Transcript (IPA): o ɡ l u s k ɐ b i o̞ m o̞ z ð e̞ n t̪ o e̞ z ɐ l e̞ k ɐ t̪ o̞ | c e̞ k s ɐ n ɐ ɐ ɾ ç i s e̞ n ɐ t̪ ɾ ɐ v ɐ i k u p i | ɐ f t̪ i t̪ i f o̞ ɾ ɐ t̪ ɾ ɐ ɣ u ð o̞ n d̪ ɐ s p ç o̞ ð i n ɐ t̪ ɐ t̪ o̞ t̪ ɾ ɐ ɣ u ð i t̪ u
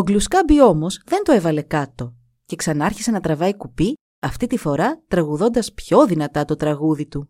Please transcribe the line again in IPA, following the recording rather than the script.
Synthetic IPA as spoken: o ɡ l u s k ɐ b i o̞ m o̞ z ð e̞ n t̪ o e̞ v ɐ l e̞ k ɐ t̪ o̞ | c e̞ k s ɐ n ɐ ɐ ɾ ç i s e̞ n ɐ t̪ ɾ ɐ v ɐ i k u p i | ɐ f t̪ i t̪ i f o̞ ɾ ɐ t̪ ɾ ɐ ɣ u ð o̞ n d̪ ɐ s p ç o̞ ð i n ɐ t̪ ɐ t̪ o̞ t̪ ɾ ɐ ɣ u ð i t̪ u